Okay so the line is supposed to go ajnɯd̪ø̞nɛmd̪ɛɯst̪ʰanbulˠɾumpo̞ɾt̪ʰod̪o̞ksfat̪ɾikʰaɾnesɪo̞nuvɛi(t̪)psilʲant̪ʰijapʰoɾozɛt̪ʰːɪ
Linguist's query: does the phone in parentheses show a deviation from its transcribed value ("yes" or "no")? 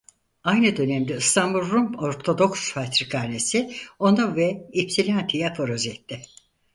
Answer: yes